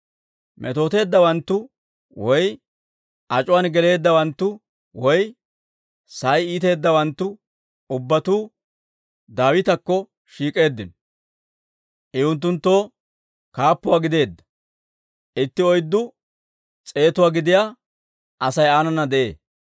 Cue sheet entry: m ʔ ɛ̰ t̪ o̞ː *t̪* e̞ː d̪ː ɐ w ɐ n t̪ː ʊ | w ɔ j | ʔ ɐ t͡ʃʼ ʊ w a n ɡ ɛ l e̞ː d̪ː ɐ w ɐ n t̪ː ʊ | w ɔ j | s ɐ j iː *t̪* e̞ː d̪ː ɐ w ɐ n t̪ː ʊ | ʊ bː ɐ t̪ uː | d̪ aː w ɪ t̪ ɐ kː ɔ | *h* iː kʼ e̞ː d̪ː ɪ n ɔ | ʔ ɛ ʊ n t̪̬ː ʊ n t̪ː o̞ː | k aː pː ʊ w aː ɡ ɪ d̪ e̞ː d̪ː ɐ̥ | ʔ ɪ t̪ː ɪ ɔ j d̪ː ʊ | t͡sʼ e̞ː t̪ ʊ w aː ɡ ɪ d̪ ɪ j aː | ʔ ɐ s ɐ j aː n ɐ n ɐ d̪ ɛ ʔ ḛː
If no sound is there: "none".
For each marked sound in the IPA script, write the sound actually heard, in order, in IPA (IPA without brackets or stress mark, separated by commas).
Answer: t̪, t̪, ʃ